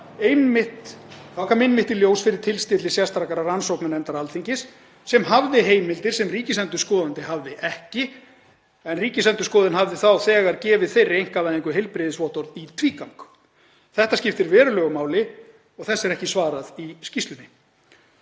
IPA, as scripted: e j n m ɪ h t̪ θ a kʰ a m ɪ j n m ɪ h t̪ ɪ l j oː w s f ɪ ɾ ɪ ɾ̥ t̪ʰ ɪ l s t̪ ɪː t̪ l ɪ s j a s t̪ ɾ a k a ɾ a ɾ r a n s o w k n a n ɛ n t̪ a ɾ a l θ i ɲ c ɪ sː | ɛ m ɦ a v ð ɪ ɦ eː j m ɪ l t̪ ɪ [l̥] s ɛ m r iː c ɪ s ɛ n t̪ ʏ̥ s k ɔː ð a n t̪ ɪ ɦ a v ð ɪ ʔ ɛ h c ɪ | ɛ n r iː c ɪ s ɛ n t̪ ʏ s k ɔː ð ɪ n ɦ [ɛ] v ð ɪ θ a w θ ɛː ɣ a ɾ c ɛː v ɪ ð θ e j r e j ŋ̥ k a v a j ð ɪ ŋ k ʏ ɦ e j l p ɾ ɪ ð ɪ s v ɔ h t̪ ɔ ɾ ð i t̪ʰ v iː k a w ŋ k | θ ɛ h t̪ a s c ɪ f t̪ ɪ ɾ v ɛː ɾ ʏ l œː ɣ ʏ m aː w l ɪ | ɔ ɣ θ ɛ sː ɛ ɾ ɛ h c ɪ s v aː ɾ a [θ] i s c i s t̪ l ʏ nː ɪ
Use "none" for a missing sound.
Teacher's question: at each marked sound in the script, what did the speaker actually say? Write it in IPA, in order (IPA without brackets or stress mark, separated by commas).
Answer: ɾ̥, a, ð